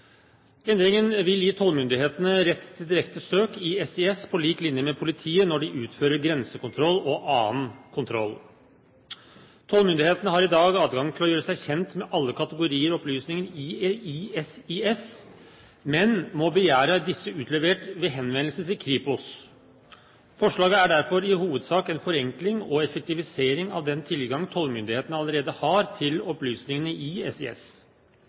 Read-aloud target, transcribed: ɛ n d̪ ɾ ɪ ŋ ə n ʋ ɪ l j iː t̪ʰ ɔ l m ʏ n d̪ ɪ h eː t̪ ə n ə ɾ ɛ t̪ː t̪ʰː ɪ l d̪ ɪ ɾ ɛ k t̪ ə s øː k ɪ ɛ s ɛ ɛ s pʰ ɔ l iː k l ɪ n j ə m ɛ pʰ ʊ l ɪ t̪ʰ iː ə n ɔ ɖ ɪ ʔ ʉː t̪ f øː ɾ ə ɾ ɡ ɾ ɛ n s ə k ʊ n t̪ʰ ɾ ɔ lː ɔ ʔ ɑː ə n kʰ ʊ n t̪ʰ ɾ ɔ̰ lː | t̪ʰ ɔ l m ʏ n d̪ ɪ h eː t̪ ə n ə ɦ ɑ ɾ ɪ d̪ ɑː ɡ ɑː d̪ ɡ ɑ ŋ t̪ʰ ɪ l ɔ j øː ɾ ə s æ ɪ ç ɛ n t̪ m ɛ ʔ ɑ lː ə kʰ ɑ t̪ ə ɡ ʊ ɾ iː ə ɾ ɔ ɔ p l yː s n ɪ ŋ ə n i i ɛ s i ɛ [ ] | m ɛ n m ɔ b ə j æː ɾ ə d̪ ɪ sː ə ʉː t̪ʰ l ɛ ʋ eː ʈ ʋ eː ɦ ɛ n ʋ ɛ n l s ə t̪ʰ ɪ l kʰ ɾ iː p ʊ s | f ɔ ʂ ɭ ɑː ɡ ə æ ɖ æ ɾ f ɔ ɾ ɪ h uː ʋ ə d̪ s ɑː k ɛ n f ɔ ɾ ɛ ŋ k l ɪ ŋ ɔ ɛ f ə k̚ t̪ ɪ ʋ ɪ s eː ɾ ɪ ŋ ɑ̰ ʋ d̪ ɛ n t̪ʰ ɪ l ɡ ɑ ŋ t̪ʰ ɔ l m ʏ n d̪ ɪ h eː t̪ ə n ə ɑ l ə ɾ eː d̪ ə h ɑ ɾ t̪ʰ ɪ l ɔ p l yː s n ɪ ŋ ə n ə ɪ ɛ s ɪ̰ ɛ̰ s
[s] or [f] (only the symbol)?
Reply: s